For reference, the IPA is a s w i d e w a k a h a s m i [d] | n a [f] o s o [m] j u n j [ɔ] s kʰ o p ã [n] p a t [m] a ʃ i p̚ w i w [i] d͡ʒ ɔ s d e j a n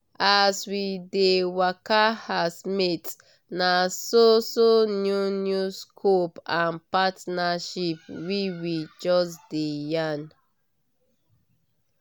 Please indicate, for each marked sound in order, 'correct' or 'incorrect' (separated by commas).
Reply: incorrect, incorrect, incorrect, incorrect, correct, incorrect, correct